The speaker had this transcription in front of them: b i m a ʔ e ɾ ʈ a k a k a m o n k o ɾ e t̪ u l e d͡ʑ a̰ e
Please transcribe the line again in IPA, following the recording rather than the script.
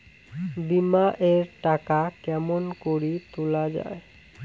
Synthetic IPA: b i m a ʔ e ɾ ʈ a k a k ɛ m o n k o ɾ i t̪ u l a d͡ʑ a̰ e

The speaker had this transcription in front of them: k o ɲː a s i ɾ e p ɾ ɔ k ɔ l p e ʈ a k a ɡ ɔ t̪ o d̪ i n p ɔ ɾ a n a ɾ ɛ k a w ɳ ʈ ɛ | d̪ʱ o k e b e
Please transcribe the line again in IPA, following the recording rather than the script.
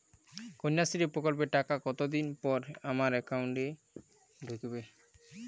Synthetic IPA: k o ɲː a s i ɾ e p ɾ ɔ k ɔ l p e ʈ a k a k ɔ t̪ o d̪ i n p ɔ ɾ a m a ɾ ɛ k a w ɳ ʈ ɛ | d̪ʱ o k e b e

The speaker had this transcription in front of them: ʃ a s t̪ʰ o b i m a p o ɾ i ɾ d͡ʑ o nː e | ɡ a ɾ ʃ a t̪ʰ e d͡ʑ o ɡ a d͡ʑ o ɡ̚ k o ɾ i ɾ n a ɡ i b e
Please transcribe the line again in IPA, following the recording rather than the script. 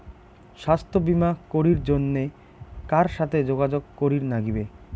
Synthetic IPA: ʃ a s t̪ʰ o b i m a k o ɾ i ɾ d͡ʑ o nː e | k a ɾ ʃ a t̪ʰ e d͡ʑ o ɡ a d͡ʑ o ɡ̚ k o ɾ i ɾ n a ɡ i b e

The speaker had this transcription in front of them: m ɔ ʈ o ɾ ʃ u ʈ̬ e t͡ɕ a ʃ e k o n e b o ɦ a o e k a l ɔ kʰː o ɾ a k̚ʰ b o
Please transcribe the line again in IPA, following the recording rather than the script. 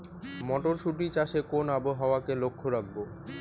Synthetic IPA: m ɔ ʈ o ɾ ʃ u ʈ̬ i t͡ɕ a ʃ e k o n a b o ɦ a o a k e l o kʰː o ɾ a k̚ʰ b o

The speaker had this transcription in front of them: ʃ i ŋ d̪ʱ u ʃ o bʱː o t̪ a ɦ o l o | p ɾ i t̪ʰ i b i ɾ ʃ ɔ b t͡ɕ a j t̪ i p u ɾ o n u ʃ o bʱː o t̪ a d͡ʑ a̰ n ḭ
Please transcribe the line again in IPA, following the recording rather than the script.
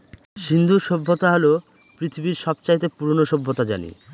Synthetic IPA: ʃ i n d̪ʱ u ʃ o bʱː o t̪ a ɦ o l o | p ɾ i t̪ʰ i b i ɾ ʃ ɔ b t͡ɕ a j t̪ e p u ɾ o n o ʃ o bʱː o t̪ a d͡ʑ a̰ n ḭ

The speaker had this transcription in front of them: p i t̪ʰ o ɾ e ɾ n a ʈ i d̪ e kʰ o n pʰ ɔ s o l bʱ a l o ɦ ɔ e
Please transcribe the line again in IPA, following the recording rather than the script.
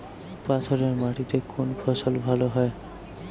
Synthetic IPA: p a t̪ʰ o ɾ e ɾ m a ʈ i t̪ e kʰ o n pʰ ɔ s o l bʱ a l o ɦ ɔ e

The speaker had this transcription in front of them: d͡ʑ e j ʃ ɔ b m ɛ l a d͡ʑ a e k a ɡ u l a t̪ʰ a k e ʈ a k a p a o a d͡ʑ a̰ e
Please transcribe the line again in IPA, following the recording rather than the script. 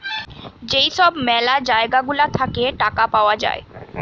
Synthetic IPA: d͡ʑ e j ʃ ɔ b m ɛ l a d͡ʑ a e ɡ a ɡ u l a t̪ʰ a k e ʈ a k a p a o a d͡ʑ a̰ e

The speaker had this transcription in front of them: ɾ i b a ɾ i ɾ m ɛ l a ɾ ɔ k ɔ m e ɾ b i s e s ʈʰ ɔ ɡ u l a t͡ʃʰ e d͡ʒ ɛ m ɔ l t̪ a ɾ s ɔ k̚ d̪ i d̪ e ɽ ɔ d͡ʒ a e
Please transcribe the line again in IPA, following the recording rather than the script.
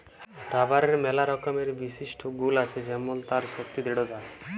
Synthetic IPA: ɾ a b a ɾ e ɾ m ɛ l a ɾ ɔ k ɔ m e ɾ b i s i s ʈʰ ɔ ɡ u l a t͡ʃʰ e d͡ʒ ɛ m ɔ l t̪ a ɾ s ɔ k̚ t̪ i d̪ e ɽ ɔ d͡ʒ a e

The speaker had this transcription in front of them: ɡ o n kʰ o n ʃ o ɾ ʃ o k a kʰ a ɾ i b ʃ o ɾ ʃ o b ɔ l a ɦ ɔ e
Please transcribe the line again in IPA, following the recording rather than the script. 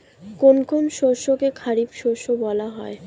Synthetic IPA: k o n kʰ o n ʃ o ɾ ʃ o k e kʰ a ɾ i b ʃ o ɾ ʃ o b ɔ l a ɦ ɔ e

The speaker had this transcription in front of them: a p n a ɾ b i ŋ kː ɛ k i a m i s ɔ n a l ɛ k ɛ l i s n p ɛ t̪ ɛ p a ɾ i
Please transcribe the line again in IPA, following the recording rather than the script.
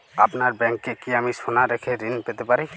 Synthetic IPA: a p n a ɾ b ɛ ŋ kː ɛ k i a m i s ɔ n a ɾ ɛ kʰ ɛ ɾ i n p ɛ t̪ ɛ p a ɾ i

